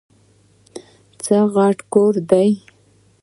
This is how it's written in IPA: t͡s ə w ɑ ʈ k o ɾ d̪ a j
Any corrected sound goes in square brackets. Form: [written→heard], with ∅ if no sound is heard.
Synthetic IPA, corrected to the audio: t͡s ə [w→ɣ] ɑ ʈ k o ɾ d̪ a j